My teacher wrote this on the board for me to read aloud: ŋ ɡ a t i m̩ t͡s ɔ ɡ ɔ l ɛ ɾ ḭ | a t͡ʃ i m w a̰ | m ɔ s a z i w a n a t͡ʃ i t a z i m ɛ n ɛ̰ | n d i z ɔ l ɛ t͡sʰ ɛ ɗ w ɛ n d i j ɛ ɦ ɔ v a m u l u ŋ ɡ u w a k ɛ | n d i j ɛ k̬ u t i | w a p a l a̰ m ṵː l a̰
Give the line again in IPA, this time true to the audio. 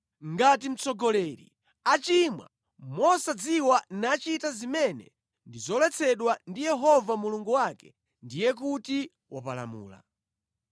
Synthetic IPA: ŋ ɡ a t i m̩ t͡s ɔ ɡ ɔ l ɛ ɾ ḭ | a t͡ʃ i m w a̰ | m ɔ s a d͡z i w a n a t͡ʃ i t a z i m ɛ n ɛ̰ | n d i z ɔ l ɛ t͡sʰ ɛ ɗ w a n d i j ɛ ɦ ɔ v a m u l u ŋ ɡ u w a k ɛ | n d i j ɛ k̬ u t i | w a p a l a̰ m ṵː l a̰